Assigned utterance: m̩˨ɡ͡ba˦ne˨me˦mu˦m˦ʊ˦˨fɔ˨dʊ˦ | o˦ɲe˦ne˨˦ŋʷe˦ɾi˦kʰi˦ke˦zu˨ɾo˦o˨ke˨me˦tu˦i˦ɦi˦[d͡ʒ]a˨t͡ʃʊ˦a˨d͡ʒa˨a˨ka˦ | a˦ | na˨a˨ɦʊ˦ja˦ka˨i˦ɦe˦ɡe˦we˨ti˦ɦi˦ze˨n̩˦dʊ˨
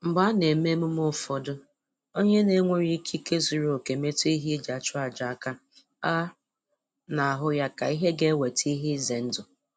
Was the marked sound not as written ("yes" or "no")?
no